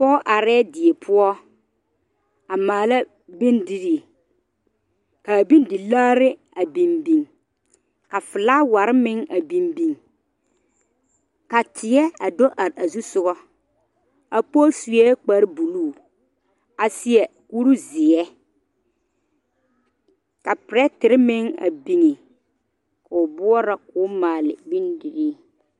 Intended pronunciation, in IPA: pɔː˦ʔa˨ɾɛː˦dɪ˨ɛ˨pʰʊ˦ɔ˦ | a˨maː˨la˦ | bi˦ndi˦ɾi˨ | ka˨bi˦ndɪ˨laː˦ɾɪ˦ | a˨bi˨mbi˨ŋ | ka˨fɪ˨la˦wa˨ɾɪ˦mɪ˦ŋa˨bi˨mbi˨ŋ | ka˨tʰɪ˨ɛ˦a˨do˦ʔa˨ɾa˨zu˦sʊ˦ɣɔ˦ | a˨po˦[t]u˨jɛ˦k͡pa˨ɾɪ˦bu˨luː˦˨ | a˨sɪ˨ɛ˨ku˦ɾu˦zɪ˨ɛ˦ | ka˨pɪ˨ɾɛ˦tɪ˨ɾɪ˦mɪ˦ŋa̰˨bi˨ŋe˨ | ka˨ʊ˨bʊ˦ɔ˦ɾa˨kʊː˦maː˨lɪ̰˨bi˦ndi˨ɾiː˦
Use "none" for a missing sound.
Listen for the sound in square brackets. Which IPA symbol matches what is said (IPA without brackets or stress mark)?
s